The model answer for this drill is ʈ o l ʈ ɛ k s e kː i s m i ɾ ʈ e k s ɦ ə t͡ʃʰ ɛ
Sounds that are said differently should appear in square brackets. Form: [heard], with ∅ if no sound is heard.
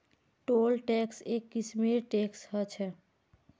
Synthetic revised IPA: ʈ o l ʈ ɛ k s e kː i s m i ɾ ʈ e k s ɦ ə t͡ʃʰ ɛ